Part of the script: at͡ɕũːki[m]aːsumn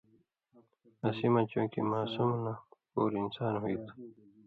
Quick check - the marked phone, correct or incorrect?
correct